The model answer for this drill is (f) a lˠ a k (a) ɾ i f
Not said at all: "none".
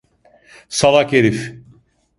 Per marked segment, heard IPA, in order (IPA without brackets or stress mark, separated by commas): s, e